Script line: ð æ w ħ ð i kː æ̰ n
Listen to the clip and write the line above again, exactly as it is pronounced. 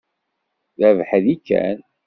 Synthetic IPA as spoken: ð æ v ħ ð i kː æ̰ n